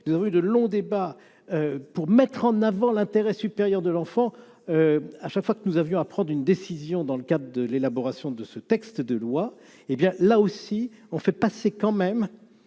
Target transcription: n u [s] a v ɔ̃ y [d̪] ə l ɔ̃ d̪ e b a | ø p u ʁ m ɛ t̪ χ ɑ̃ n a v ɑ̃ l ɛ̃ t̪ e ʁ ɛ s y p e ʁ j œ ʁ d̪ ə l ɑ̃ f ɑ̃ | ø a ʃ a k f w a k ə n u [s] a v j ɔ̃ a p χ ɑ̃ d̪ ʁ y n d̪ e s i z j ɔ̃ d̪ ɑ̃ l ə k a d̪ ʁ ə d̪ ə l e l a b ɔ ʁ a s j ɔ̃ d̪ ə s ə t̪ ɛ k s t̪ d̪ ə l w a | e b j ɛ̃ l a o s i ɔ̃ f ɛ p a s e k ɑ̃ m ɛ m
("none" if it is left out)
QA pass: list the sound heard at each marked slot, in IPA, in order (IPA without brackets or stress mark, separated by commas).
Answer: z, d̪, z